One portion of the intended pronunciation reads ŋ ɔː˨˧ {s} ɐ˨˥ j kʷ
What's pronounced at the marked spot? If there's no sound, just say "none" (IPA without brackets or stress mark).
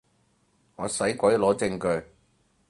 s